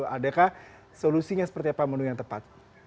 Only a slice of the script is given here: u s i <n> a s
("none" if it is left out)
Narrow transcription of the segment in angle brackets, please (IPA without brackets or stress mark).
ɲ